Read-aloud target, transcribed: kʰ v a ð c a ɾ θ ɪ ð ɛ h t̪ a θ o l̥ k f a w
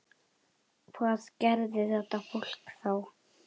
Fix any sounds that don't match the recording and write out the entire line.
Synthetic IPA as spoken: kʰ v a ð c ɛ ɾ ð ɪ θ ɛ h t̪ a f o l̥ k θ a w

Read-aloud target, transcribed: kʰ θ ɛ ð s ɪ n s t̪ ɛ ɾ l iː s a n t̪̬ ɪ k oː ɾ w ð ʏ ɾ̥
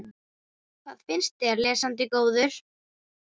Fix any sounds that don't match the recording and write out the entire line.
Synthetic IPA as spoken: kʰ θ a ð f ɪ n s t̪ ɛ ɾ l ɛː s a n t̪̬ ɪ k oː w ð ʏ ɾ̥

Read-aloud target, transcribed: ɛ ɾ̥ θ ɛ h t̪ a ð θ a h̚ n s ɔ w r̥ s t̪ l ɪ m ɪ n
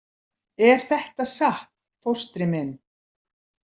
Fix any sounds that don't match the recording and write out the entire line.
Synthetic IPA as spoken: ɛ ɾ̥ θ ɛ h t̪ a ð s a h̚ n f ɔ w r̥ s t̪ ɾ ɪ m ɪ n

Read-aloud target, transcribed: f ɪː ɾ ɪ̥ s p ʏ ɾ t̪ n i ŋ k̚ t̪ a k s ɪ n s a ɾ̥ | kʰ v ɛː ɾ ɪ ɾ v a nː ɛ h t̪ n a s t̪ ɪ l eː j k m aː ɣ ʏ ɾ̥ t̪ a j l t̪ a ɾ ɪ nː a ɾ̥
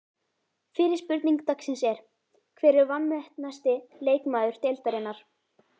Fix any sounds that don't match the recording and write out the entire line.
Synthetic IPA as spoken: f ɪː ɾ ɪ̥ s p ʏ ɾ t̪ n i ŋ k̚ t̪ a k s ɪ n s ɛ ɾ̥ | kʰ v ɛː ɾ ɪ ɾ v a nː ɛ h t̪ n a s t̪ ɪ l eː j k m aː ð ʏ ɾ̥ t̪ e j l t̪ a ɾ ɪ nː a ɾ̥

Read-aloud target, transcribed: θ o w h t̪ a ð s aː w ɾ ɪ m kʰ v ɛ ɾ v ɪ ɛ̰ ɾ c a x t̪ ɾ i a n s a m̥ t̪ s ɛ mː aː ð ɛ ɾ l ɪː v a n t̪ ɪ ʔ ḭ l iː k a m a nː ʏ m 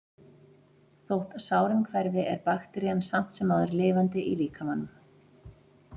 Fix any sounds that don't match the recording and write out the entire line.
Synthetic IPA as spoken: θ o w h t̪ a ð s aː w ɾ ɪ m kʰ v ɛ ɾ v ɪ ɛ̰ ɾ p a x t̪ ɾ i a n s a m̥ t̪ s ɛ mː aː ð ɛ ɾ l ɪː v a n t̪ ɪ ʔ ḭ l iː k a m a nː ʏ m

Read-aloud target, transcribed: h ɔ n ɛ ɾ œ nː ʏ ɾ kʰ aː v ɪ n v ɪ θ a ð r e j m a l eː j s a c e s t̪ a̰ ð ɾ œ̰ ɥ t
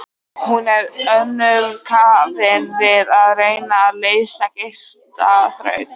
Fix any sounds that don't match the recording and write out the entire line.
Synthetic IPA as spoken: h u n ɛ ɾ œ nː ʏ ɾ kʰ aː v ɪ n v ɪ ð a ð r e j n a l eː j s a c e s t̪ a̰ θ ɾ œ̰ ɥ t

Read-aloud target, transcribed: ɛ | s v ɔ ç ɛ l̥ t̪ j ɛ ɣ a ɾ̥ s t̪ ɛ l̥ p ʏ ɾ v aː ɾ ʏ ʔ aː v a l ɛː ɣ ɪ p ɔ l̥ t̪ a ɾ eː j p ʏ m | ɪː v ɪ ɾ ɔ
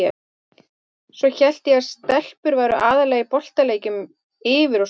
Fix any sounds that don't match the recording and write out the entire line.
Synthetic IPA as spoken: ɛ | s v ɔ ç ɛ l̥ t̪ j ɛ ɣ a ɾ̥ s t̪ ɛ l̥ p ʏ ɾ v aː ɾ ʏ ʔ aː ð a l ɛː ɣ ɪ p ɔ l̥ t̪ a l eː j c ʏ m | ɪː v ɪ ɾ ɔ

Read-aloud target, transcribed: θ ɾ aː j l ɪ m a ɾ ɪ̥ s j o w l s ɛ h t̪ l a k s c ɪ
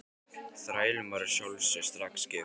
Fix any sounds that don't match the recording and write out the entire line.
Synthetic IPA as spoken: θ ɾ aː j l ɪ m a ɾ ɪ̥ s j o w l s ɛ s t̪ ɾ a k s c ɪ

